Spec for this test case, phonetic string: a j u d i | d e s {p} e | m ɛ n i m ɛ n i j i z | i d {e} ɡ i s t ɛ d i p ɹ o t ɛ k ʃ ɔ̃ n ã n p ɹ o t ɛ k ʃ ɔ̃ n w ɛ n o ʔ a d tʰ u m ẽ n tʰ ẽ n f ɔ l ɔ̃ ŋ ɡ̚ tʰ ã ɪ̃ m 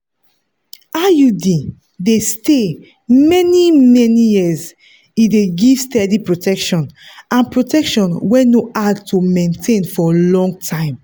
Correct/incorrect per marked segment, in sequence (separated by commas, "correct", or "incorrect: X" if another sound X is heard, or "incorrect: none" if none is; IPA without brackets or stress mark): incorrect: t, correct